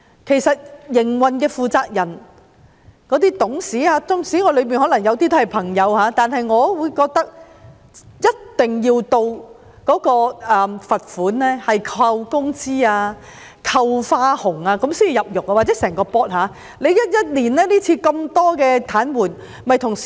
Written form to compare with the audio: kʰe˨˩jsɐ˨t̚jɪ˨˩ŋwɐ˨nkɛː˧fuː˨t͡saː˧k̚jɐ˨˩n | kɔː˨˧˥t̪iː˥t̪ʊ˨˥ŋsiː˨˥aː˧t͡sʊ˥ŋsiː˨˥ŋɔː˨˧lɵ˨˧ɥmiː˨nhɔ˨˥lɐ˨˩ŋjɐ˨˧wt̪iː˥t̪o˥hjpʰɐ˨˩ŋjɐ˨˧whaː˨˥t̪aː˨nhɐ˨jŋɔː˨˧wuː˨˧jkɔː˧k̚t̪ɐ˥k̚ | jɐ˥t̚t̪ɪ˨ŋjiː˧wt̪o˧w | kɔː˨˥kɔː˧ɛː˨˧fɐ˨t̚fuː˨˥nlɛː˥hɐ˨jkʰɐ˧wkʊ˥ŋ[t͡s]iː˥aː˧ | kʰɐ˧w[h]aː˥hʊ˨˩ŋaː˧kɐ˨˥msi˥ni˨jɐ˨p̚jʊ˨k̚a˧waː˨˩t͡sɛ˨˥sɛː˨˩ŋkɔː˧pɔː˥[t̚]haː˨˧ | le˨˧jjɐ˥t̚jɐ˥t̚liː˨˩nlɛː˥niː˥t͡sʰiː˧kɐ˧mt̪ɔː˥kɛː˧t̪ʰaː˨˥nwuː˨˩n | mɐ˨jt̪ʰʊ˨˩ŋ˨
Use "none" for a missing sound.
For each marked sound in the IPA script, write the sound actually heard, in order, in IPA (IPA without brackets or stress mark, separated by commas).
t͡s, f, t̚